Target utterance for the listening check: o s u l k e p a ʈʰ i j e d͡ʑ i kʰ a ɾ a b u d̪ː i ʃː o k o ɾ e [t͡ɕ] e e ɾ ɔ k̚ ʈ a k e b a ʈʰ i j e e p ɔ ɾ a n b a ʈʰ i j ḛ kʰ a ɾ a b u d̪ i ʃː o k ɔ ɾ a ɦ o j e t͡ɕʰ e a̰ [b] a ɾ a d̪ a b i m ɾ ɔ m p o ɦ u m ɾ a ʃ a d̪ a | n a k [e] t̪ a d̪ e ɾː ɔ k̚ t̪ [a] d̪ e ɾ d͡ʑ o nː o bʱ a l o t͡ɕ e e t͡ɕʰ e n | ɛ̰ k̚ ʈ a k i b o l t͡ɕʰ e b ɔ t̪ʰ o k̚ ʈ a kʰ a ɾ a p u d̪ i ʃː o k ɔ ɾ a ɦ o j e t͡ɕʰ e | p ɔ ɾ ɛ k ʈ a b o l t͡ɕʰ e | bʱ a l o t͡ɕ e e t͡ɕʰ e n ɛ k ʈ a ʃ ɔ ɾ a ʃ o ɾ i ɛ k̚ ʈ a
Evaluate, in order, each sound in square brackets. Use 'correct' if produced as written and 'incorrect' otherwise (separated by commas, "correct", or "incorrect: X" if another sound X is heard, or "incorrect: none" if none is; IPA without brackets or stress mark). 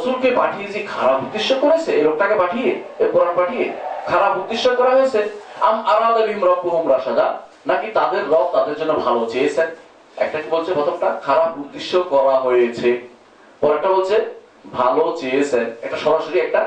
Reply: incorrect: t͡ɕʰ, incorrect: m, incorrect: i, correct